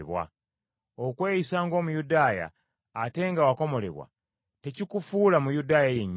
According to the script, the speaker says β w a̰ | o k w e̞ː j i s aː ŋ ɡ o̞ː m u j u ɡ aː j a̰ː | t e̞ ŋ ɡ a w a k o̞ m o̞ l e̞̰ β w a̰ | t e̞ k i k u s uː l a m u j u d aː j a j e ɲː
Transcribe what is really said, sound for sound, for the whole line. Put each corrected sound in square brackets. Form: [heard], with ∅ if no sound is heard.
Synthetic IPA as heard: β w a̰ | o k w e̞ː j i s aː ŋ ɡ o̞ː m u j u [d] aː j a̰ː | t e̞ ŋ ɡ a w a k o̞ m o̞ l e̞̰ β w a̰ | t e̞ [c] i k u [f] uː l a m u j u d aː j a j e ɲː